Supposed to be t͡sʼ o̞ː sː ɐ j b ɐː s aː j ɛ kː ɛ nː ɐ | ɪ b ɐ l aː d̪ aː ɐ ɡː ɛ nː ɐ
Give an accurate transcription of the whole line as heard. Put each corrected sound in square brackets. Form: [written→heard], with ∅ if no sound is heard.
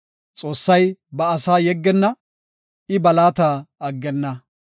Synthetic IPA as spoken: t͡sʼ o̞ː sː ɐ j b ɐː s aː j ɛ [kː→ɡː] ɛ nː ɐ | ɪ b ɐ l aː [d̪→t̪] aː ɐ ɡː ɛ nː ɐ